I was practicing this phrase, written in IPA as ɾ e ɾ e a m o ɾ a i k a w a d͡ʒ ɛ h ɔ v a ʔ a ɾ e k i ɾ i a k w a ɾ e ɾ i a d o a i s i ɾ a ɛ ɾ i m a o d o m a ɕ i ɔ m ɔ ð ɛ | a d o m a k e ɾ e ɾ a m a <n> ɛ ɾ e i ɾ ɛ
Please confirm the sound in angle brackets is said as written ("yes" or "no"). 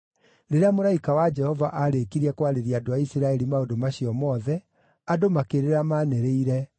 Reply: yes